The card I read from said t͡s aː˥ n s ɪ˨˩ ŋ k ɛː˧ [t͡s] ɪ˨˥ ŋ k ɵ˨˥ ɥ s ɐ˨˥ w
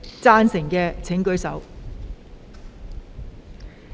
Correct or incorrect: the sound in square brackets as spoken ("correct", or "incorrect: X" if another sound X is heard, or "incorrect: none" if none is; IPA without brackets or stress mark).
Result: incorrect: t͡sʰ